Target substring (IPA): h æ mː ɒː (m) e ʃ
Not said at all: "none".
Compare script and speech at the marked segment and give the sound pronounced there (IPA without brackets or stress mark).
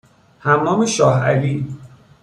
m